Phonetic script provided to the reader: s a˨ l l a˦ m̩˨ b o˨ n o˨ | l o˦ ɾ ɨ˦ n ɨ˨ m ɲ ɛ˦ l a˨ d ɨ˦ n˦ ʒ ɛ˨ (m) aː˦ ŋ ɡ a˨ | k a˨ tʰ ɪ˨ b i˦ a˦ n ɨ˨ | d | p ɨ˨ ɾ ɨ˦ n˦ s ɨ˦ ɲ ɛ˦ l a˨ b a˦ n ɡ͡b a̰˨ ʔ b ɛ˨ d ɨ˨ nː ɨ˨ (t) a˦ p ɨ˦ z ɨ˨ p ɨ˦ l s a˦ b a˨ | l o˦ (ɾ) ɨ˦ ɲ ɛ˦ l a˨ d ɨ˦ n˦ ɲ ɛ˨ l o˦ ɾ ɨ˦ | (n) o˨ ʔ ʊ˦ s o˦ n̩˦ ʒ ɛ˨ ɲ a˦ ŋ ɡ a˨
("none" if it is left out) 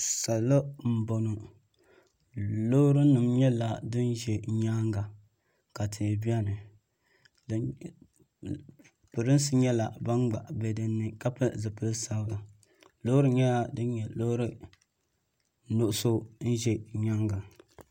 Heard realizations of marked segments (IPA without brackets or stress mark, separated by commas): ɲ, k, ɾ, n